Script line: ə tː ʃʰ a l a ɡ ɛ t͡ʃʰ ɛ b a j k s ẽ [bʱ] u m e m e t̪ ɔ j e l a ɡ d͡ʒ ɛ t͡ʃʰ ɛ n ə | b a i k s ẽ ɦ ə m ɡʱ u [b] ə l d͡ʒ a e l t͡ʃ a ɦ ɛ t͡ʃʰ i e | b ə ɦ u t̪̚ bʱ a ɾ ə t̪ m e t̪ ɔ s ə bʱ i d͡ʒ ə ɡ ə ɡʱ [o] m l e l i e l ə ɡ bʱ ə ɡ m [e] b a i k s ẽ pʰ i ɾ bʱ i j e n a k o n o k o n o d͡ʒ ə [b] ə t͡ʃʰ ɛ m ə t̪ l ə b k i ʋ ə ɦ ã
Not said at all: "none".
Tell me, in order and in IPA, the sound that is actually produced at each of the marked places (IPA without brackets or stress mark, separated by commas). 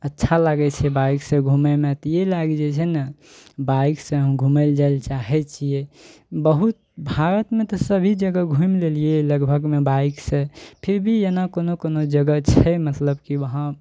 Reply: ɡʱ, m, u, e, ɡ